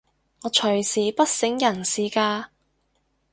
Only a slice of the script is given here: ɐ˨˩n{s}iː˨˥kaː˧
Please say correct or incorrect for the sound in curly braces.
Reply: correct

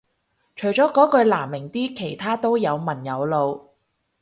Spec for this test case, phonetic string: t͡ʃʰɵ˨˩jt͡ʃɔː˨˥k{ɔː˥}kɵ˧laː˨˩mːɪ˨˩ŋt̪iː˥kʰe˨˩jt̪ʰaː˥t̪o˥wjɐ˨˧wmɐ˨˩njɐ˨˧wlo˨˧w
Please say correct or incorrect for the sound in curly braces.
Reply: incorrect: ɔː˨˥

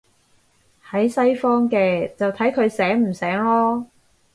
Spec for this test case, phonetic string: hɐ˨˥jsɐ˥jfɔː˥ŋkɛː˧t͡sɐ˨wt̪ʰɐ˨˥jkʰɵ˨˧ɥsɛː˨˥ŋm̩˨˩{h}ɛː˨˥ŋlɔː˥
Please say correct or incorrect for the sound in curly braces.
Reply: incorrect: s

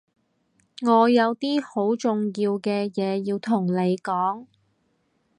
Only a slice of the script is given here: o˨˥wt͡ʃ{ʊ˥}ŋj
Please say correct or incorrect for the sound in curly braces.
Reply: incorrect: ʊ˨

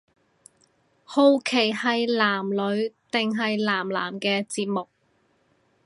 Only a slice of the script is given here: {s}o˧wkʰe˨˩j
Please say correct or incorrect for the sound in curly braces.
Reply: incorrect: h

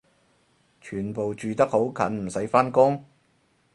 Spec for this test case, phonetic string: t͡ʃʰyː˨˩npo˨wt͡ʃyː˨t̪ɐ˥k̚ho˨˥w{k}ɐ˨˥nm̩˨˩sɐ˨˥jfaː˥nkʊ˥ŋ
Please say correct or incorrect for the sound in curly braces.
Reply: incorrect: kʰ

